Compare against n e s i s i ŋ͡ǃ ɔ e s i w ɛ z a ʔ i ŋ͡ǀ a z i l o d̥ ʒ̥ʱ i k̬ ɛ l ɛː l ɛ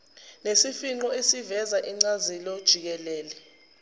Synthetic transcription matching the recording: n e s i f i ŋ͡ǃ ɔ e s i v ɛ z a ʔ i ŋ͡ǀ a z i l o d̥ ʒ̥ʱ i k̬ ɛ l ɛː l ɛ